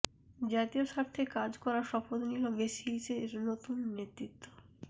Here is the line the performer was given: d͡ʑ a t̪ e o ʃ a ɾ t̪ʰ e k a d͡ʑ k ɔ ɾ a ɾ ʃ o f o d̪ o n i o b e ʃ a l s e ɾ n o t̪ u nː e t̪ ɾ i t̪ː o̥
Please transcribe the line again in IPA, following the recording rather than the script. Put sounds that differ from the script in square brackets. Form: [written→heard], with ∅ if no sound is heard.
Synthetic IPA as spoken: d͡ʑ a t̪ [e→i] o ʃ a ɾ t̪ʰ e k a d͡ʑ k ɔ ɾ a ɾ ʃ [o→ɔ] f o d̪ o n i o b e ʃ [a→i] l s e ɾ n o t̪ u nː e t̪ ɾ i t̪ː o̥